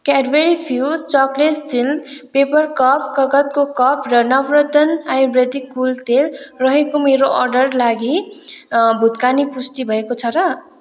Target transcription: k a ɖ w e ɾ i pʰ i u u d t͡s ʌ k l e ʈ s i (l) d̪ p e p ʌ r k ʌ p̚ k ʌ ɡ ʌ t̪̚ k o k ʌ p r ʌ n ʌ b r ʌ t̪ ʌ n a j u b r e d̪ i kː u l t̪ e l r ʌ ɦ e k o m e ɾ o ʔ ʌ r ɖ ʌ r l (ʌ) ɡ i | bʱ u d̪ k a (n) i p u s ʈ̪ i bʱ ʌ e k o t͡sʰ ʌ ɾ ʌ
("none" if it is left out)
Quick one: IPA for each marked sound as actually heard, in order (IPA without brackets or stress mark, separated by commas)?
l, a, n